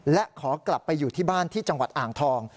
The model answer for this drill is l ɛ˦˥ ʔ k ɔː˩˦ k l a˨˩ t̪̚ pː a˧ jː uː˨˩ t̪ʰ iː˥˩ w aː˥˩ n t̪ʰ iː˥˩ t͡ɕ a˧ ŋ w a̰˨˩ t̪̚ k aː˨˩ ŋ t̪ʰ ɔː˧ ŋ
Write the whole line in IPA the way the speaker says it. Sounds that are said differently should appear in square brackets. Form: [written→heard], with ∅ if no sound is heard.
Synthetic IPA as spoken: l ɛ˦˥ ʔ [k→kʰ] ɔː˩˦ k l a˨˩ [t̪̚→∅] pː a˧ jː uː˨˩ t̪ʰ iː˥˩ [w→b] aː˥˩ n t̪ʰ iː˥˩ t͡ɕ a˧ ŋ w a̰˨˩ t̪̚ [k→ʔ] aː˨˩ ŋ t̪ʰ ɔː˧ ŋ